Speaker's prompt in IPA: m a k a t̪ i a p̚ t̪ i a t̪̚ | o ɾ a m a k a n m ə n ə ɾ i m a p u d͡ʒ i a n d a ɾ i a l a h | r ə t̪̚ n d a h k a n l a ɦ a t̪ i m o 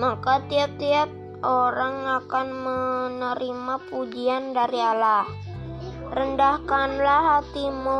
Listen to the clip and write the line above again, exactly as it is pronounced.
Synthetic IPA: m a k a t̪ i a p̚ t̪ i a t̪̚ | o ɾ a ŋ a k a n m ə n ə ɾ i m a p u d͡ʒ i a n d a ɾ i a l a h | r ə n d a h k a n l a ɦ a t̪ i m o